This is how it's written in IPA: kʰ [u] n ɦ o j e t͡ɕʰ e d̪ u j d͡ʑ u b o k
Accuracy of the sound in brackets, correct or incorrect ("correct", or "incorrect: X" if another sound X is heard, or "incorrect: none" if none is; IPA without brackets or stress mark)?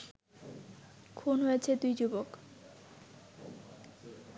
correct